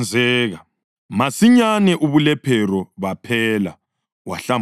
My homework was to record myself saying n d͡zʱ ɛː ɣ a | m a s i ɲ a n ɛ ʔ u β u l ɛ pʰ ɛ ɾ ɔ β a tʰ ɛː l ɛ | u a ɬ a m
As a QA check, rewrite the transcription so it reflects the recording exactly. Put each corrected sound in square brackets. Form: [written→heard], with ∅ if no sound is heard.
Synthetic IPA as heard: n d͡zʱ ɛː ɣ a | m a s i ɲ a n ɛ ʔ u β u l ɛ pʰ ɛ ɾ ɔ β a [tʰ→pʰ] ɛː l [ɛ→a] | [u→w] a ɬ a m